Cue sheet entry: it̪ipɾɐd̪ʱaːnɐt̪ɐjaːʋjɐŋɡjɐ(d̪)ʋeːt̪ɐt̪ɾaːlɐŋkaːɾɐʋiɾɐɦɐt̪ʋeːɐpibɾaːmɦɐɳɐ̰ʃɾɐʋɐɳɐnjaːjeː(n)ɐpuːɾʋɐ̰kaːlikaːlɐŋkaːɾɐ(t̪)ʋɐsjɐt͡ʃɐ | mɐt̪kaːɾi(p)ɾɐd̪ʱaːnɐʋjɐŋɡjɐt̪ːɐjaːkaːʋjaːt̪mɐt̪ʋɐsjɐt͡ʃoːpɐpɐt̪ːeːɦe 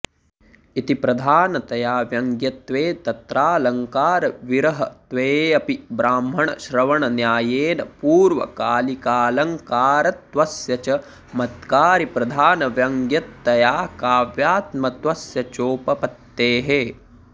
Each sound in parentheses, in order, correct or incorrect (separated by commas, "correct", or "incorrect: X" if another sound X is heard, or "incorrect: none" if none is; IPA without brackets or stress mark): incorrect: t̪, correct, correct, correct